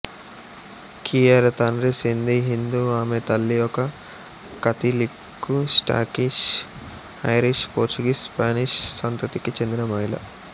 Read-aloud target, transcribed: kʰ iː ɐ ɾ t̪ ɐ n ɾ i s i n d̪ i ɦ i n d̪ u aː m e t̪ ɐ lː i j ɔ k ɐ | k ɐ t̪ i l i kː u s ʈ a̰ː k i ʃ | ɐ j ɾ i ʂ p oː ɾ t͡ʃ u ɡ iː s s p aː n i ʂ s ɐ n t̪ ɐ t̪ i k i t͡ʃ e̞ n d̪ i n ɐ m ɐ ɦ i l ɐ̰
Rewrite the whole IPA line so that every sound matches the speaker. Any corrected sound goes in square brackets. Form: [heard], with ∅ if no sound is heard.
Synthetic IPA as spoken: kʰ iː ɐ ɾ t̪ ɐ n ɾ i s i n d̪ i ɦ i n d̪ u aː m e t̪ ɐ lː i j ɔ k ɐ | k ɐ t̪ i l i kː u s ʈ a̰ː k i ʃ | ɐ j ɾ i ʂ p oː ɾ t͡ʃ u ɡ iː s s p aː n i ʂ s ɐ n t̪ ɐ t̪ i k i t͡ʃ e̞ n d̪ i n ɐ m ɐ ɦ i l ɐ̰

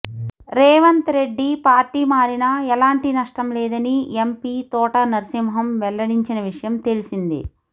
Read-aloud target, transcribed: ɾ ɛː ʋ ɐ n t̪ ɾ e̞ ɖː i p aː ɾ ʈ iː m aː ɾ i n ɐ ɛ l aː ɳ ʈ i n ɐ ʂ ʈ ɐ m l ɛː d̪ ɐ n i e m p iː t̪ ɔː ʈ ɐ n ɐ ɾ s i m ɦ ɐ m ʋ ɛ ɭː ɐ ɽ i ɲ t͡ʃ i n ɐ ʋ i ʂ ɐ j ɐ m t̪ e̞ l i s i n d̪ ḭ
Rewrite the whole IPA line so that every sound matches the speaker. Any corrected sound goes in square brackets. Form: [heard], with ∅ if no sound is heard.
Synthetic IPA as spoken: ɾ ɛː ʋ ɐ n t̪ ɾ e̞ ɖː i p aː ɾ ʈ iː m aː ɾ i n ɐ ɛ l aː ɳ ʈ i n ɐ ʂ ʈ ɐ m l ɛː d̪ ɐ n i e m p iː t̪ ɔː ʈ ɐ n ɐ ɾ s i m ɦ ɐ m ʋ ɛ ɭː ɐ ɽ i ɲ t͡ʃ i n ɐ ʋ i ʂ ɐ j ɐ m t̪ e̞ l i s i n d̪ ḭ

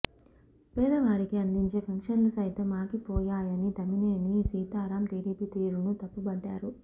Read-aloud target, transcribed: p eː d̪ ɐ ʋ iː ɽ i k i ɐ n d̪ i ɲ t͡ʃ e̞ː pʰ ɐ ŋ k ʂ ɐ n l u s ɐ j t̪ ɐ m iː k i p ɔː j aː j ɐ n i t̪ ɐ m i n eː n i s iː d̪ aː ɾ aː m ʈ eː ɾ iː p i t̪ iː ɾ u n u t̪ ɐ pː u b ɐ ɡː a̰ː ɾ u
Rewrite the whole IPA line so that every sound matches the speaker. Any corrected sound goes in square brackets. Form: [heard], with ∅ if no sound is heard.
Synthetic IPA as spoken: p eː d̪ ɐ ʋ [aː] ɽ i k i ɐ n d̪ i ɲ t͡ʃ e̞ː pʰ ɐ ŋ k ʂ ɐ n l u s ɐ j t̪ ɐ m [aː] k i p ɔː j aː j ɐ n i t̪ ɐ m i n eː n i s iː [t̪] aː ɾ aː m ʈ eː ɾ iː p i t̪ iː ɾ u n u t̪ ɐ pː u b ɐ [ɖː] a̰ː ɾ u

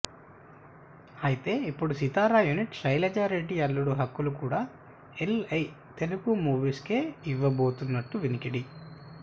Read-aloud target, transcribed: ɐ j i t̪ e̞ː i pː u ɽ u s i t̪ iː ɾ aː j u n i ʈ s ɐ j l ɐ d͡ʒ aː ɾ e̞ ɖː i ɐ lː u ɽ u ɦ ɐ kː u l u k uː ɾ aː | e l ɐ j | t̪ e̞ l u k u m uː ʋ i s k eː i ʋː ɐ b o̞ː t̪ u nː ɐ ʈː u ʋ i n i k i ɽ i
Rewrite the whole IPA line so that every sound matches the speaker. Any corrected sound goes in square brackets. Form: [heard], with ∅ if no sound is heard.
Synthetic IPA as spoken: ɐ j i t̪ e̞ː i pː u ɽ u s i t̪ [aː] ɾ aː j u n i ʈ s ɐ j l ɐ d͡ʒ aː ɾ e̞ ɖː i ɐ lː u ɽ u ɦ ɐ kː u l u k uː [ɽ] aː | e l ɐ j | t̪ e̞ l u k u m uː ʋ i s k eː i ʋː ɐ b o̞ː t̪ u nː ɐ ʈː u ʋ i n i k i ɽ i

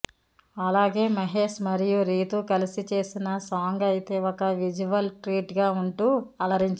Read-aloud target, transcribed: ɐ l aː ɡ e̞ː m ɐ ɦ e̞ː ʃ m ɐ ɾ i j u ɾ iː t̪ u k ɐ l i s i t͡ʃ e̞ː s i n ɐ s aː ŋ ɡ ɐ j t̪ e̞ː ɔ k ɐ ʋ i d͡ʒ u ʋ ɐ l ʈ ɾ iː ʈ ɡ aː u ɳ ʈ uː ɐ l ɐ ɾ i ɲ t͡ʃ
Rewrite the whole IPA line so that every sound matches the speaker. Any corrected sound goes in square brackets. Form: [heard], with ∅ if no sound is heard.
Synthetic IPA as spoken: ɐ l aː ɡ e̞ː m ɐ ɦ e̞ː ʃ m ɐ ɾ i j u ɾ iː t̪ u k ɐ l i s i t͡ʃ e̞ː s i n ɐ s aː ŋ ɡ ɐ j t̪ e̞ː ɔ k ɐ ʋ i d͡ʒ u ʋ ɐ l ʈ ɾ iː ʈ ɡ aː u ɳ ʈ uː ɐ l ɐ ɾ i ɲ t͡ʃ

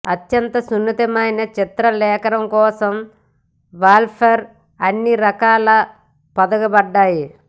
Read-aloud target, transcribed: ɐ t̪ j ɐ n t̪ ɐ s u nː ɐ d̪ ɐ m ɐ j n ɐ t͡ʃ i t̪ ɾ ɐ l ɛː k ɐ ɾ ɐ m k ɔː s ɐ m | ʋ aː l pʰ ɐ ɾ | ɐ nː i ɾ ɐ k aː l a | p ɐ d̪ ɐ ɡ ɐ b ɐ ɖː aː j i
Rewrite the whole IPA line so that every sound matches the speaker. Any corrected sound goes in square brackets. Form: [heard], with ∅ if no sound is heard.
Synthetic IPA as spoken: ɐ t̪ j ɐ n t̪ ɐ s u nː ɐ [t̪] ɐ m ɐ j n ɐ t͡ʃ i t̪ ɾ ɐ l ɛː k ɐ ɾ ɐ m k ɔː s ɐ m | ʋ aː l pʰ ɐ ɾ | ɐ nː i ɾ ɐ k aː l [ɐ] | p ɐ d̪ ɐ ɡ ɐ b ɐ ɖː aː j i

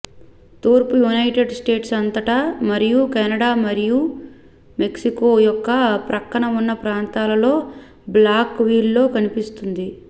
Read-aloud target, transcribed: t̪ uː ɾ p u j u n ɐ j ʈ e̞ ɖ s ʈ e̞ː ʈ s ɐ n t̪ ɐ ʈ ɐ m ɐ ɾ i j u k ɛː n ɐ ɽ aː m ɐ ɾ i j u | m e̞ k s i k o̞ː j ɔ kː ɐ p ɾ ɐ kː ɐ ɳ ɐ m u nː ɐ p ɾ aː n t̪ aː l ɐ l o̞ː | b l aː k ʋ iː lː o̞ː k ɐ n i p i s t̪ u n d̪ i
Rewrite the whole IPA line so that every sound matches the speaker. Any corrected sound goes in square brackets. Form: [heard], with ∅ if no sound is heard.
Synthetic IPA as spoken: t̪ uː ɾ p u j u n ɐ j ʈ e̞ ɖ s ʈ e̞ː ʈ s ɐ n t̪ ɐ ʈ ɐ m ɐ ɾ i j u k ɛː n ɐ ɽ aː m ɐ ɾ i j u | m e̞ k s i k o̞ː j ɔ kː ɐ p ɾ ɐ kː ɐ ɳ ɐ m u nː ɐ p ɾ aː n t̪ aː l ɐ l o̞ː | b l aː k ʋ iː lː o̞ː k ɐ n i p i s t̪ u n d̪ i

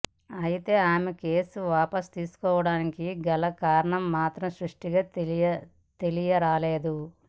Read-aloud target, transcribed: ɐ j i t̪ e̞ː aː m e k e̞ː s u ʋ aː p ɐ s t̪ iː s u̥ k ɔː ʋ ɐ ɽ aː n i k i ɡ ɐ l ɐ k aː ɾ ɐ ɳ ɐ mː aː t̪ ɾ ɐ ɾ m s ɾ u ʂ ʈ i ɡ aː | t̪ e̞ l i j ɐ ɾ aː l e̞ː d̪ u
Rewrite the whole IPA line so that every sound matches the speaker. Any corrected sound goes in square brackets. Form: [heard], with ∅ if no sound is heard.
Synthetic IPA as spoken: ɐ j i t̪ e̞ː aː m e k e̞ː s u ʋ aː p ɐ s t̪ iː s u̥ k ɔː ʋ ɐ ɽ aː n i k i ɡ ɐ l ɐ k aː ɾ ɐ ɳ ɐ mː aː t̪ ɾ ɐ [∅] m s ɾ u ʂ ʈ i ɡ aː | t̪ e̞ l i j ɐ ɾ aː l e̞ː d̪ u

